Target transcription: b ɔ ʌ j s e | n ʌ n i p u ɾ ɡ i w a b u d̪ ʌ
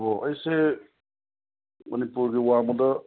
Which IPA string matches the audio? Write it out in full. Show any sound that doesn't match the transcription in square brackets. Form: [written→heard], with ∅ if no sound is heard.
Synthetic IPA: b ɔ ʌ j s e | [n→m] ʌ n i p u ɾ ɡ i w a [b→m] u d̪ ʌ